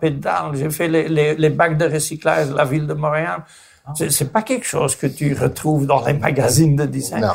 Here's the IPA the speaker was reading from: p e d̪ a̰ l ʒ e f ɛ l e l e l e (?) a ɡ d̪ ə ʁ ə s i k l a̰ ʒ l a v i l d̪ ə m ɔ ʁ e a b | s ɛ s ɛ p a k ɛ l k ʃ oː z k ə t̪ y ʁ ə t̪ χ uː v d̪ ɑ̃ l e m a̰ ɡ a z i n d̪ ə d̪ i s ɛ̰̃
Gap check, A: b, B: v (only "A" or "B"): A